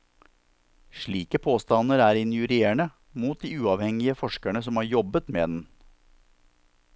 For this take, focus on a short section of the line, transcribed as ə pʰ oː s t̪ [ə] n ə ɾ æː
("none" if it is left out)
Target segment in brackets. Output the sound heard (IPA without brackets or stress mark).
ɑ